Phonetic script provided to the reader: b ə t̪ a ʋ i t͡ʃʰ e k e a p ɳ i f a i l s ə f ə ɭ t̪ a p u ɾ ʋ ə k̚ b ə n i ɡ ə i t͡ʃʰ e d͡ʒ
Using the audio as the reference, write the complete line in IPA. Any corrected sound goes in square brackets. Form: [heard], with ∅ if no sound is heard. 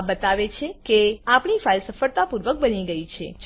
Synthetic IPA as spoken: b ə t̪ a ʋ [e] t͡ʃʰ e k e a p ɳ i f a i l s ə f ə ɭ t̪ a p u ɾ ʋ ə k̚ b ə n i ɡ ə i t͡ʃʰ e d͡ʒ